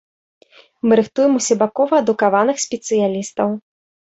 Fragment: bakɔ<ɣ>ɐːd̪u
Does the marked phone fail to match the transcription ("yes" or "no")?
yes